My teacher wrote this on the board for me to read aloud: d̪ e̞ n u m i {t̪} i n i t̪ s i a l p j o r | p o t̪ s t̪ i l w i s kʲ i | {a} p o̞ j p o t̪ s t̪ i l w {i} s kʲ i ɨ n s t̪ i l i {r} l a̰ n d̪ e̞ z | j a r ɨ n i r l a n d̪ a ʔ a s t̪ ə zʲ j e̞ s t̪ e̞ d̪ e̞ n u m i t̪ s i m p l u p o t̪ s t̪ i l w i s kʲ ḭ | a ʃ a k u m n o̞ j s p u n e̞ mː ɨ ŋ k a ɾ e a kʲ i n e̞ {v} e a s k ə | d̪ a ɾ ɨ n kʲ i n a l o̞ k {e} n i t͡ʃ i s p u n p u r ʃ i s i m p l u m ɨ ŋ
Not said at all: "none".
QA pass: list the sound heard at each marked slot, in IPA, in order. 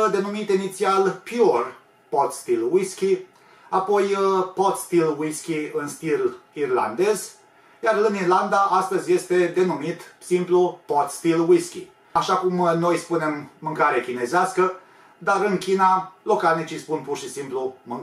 t̪, a, i, r, z, a

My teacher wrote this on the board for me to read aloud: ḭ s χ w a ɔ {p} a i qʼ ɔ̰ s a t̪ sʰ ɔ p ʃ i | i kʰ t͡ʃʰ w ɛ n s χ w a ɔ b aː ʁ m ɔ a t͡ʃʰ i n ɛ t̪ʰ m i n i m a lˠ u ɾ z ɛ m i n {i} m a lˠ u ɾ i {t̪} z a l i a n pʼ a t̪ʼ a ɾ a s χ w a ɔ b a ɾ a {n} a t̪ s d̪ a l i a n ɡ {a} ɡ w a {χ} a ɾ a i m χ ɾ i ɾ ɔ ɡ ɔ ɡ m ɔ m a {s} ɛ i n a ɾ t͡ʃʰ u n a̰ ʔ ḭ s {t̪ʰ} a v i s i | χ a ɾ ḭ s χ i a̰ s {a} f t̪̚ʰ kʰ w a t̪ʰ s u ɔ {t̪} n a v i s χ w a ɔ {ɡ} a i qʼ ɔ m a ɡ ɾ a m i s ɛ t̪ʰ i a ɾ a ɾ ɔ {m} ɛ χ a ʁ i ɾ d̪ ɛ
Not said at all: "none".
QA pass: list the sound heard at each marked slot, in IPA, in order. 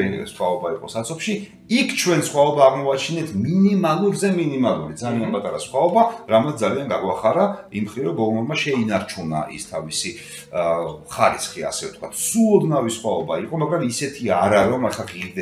b, i, d̪, m, a, χ, ʃ, t̪ʰ, ɛ, d̪, b, m

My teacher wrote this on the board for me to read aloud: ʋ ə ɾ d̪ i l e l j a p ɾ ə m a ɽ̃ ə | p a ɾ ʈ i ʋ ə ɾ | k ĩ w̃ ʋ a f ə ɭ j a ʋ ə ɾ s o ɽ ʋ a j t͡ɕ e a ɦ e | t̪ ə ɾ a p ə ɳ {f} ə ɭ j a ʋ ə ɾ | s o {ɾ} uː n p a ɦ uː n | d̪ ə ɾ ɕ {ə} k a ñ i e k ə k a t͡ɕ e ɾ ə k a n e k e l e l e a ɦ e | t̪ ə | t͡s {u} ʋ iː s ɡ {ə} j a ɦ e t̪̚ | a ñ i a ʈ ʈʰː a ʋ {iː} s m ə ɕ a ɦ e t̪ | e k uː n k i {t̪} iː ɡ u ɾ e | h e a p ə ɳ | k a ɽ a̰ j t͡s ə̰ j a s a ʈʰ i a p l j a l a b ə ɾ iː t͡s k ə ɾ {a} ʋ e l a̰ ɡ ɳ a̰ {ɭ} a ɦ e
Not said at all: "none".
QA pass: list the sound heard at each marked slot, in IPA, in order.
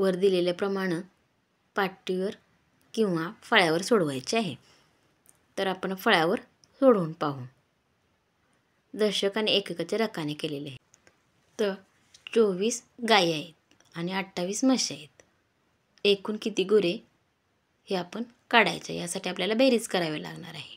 f, ɽ, ə, o, a, iː, t̪, a, ɾ

